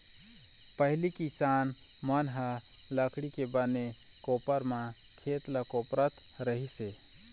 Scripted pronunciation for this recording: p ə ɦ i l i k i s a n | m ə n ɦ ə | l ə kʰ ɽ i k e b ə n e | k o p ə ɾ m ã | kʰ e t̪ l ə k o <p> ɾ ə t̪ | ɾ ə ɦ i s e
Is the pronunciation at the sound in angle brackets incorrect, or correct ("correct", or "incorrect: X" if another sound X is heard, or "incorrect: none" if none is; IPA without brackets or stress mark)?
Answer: correct